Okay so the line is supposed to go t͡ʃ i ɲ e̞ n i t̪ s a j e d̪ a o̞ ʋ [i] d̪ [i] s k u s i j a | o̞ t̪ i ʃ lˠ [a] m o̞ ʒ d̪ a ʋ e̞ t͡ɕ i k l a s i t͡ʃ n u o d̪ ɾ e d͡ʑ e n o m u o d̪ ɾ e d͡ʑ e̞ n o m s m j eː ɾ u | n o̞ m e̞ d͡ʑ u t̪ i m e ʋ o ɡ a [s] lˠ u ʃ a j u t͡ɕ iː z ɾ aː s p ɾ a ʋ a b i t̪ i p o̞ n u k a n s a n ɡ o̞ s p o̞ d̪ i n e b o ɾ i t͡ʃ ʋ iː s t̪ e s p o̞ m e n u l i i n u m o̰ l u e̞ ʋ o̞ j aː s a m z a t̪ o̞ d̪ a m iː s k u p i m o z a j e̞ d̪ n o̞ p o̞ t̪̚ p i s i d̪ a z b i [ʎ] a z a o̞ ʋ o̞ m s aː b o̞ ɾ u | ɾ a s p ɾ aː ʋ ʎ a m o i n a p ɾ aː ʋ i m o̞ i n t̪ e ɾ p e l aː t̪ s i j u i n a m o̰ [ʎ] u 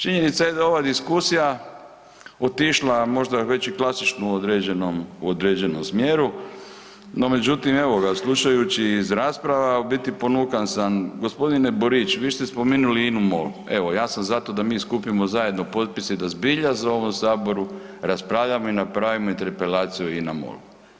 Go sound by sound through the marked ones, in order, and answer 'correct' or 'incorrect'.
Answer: incorrect: a, correct, correct, correct, correct, incorrect: l

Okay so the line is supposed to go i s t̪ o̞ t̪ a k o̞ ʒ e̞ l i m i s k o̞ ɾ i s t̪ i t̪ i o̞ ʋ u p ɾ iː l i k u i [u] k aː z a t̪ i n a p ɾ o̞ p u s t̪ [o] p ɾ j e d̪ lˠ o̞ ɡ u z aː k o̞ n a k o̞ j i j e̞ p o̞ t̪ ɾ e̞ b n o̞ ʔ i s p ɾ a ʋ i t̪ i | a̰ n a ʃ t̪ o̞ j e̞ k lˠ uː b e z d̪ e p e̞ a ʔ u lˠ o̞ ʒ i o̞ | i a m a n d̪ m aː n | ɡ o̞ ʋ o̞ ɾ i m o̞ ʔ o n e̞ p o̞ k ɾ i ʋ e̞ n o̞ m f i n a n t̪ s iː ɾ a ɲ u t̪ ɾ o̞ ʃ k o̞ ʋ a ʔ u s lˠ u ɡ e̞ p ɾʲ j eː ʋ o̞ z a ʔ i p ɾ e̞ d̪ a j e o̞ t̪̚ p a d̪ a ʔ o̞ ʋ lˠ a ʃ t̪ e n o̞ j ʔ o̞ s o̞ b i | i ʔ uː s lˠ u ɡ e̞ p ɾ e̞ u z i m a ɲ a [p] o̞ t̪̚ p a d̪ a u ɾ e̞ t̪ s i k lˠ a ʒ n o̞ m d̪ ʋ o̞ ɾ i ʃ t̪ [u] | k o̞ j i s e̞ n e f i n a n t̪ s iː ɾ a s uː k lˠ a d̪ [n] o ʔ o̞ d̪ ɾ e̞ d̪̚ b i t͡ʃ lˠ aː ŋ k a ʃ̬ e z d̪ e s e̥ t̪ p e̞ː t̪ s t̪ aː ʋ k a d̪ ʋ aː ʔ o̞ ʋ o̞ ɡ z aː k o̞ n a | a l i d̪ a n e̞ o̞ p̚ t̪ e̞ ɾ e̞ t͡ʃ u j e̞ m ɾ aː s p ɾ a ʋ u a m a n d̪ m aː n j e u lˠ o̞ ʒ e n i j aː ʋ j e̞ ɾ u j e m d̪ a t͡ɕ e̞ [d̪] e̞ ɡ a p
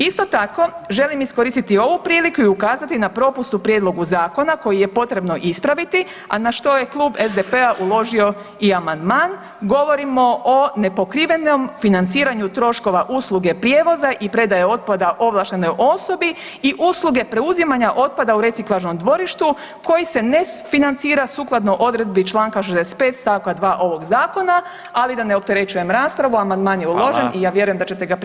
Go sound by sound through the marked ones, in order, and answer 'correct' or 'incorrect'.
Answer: correct, incorrect: u, incorrect: ʔ, correct, correct, incorrect: t̪

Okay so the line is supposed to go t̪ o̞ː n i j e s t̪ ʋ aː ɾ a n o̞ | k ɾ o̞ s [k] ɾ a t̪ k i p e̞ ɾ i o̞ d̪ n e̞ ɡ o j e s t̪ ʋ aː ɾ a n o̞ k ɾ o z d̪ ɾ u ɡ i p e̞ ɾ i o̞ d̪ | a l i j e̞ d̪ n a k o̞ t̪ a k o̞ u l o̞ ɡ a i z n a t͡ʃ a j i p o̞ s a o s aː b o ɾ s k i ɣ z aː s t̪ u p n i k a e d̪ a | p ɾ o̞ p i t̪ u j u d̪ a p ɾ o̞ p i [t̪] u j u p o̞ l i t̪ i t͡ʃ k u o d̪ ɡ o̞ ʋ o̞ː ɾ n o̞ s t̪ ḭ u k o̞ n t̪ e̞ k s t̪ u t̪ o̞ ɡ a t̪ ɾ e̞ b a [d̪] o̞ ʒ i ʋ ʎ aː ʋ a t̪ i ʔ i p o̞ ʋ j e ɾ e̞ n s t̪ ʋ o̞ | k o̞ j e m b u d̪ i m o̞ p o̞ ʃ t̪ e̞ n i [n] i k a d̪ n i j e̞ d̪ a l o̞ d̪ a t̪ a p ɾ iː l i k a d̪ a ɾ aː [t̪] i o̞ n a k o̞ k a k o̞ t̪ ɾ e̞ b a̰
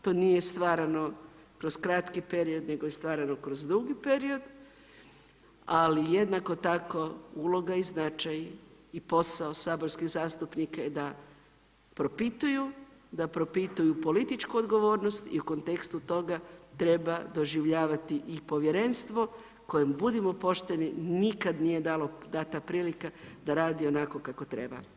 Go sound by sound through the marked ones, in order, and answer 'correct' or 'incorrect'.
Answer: correct, correct, correct, correct, incorrect: d̪

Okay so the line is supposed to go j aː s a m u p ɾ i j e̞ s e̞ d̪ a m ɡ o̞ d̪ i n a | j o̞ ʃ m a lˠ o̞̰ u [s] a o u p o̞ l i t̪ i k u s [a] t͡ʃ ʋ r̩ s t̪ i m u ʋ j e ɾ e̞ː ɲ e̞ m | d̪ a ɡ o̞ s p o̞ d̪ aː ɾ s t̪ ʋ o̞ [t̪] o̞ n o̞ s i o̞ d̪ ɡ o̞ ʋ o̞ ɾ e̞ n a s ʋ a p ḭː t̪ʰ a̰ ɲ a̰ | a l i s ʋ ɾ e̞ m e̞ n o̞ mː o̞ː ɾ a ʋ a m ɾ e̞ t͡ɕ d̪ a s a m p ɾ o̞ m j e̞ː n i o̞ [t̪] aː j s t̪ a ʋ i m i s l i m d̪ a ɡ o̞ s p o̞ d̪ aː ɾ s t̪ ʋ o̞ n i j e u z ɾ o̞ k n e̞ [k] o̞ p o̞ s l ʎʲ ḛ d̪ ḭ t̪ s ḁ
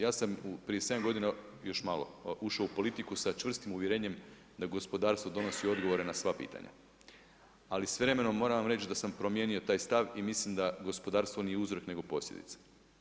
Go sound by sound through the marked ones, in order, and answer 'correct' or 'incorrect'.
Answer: incorrect: ʃ, correct, incorrect: d̪, correct, incorrect: ɡ

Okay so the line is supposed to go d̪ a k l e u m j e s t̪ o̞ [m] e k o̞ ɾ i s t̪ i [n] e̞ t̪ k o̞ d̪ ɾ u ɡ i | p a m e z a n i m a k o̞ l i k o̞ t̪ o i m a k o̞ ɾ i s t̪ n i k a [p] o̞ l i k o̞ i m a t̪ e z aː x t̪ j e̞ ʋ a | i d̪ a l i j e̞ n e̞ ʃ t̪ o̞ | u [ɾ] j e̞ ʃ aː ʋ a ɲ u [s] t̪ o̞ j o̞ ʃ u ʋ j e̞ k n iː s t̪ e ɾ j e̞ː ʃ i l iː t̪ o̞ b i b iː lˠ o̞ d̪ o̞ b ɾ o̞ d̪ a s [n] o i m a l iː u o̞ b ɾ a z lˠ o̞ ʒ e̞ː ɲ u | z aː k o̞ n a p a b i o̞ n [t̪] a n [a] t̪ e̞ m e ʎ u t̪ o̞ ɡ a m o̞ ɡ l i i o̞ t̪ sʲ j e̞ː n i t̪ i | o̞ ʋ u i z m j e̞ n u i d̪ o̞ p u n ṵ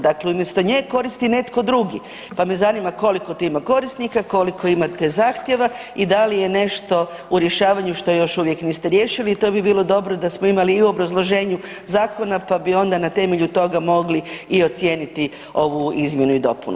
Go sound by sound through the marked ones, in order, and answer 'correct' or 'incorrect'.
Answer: incorrect: ɲ, correct, incorrect: k, correct, incorrect: ʃ, incorrect: m, incorrect: d̪, correct

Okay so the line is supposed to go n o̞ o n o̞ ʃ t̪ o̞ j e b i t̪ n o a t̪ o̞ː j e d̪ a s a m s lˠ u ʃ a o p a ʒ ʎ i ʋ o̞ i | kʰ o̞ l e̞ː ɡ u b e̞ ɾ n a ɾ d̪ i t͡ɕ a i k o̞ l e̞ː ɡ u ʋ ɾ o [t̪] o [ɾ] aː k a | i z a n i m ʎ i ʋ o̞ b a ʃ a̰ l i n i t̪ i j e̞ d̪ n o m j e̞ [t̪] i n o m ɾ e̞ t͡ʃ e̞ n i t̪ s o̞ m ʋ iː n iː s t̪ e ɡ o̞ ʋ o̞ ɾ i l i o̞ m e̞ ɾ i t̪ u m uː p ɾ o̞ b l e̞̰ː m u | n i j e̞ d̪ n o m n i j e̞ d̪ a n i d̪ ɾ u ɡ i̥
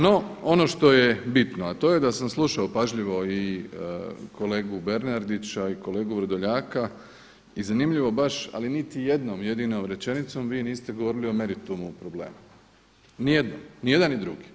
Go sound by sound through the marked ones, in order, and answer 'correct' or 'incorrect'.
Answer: incorrect: d̪, incorrect: ʎ, incorrect: d̪

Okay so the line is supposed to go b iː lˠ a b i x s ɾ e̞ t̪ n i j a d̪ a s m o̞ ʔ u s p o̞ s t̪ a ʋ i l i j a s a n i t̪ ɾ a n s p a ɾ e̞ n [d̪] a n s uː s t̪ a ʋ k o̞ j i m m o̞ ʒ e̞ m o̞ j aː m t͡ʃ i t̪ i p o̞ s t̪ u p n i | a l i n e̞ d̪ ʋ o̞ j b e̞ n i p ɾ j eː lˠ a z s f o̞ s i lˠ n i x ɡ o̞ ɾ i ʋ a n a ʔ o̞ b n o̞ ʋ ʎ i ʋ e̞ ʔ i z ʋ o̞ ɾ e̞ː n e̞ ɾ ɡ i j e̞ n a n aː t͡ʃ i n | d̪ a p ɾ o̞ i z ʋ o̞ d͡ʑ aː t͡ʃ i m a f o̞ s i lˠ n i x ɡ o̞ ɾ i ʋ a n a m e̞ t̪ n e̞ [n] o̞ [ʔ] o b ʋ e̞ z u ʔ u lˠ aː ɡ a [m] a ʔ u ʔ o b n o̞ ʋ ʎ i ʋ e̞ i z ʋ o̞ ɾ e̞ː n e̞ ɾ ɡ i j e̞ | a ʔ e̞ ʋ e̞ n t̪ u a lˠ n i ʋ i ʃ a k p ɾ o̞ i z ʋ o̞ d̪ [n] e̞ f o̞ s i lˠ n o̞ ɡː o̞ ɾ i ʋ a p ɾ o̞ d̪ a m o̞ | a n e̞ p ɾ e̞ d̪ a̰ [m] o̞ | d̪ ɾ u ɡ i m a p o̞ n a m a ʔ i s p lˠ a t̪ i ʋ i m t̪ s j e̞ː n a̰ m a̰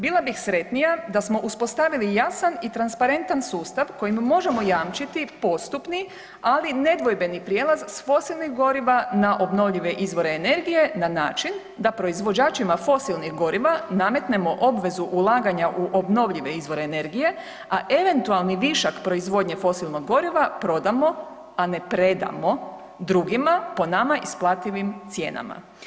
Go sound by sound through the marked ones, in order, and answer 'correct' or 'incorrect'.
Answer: incorrect: t̪, incorrect: m, correct, incorrect: ɲ, incorrect: ɲ, correct

